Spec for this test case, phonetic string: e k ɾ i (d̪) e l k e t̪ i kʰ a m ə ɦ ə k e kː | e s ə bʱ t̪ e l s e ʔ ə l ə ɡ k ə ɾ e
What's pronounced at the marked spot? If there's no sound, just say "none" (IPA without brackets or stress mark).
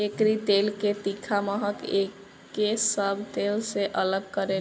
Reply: t̪